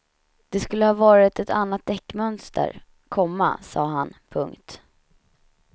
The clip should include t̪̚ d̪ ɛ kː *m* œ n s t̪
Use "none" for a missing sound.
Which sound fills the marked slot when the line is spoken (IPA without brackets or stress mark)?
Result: m